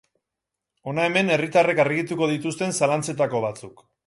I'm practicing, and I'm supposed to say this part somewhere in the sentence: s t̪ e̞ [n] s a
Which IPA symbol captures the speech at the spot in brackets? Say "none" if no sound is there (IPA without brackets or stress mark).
n